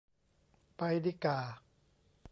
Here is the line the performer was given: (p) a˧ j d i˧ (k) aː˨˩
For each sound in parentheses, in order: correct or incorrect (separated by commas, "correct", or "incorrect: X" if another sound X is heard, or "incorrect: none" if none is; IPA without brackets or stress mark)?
correct, correct